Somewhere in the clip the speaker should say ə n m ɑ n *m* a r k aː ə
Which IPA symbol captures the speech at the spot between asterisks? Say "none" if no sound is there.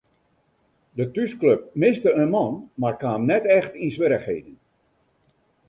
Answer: m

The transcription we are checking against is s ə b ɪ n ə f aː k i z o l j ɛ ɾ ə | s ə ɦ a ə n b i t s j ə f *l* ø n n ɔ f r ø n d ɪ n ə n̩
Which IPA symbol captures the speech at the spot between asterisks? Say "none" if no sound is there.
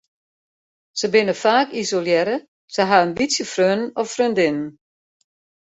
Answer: r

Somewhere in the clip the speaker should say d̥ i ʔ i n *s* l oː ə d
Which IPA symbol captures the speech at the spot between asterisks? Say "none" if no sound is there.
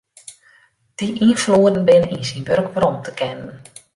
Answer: f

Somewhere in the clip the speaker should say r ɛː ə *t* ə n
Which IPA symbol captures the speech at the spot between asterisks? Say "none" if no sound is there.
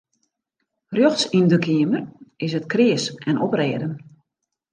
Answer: d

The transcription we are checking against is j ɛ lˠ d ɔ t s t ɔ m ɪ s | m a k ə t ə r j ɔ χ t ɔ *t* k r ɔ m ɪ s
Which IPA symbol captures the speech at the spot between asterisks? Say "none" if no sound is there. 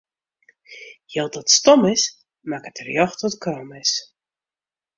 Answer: t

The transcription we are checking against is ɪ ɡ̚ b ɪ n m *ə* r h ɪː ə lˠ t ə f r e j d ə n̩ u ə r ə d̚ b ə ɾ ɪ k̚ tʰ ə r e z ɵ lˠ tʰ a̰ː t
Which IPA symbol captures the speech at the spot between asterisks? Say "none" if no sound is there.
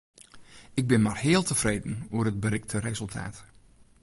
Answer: a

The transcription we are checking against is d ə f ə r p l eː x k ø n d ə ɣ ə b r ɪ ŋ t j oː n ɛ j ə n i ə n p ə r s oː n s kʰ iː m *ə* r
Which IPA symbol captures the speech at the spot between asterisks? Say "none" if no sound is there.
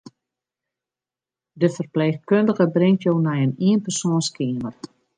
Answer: ə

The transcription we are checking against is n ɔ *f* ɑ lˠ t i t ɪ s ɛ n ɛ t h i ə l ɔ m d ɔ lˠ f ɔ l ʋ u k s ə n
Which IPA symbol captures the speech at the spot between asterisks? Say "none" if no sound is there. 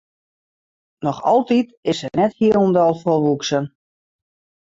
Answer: x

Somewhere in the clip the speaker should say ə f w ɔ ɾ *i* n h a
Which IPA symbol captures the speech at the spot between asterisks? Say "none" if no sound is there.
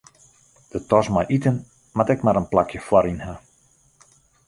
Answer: i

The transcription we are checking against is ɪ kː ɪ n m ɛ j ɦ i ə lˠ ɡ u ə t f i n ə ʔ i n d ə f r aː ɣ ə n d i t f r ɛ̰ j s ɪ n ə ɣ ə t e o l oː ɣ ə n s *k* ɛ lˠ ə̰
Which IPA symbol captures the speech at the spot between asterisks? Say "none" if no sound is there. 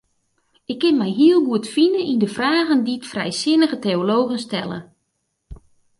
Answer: t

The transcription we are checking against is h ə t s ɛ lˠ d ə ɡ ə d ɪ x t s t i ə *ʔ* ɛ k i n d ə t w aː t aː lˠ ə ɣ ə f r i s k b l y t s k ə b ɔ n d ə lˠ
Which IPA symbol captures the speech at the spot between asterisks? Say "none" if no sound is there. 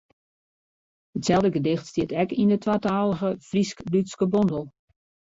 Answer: t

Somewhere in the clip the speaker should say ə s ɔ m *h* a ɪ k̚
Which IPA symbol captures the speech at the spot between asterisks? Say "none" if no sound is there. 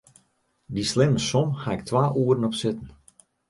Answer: h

